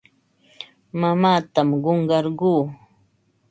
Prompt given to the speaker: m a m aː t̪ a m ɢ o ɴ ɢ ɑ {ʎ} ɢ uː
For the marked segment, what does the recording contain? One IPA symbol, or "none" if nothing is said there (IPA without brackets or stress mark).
ɾ